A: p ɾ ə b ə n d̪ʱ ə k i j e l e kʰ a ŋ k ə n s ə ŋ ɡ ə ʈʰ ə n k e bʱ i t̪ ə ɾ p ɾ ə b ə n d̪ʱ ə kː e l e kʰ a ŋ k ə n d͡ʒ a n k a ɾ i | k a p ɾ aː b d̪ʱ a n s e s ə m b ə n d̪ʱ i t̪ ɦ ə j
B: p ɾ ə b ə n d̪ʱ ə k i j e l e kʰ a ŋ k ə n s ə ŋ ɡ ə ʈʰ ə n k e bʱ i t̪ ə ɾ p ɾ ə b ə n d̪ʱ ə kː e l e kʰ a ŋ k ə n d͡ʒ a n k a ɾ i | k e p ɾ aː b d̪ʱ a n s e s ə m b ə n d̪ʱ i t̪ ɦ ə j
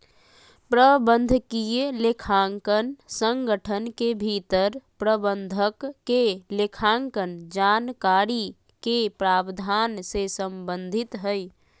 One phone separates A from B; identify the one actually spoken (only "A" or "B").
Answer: B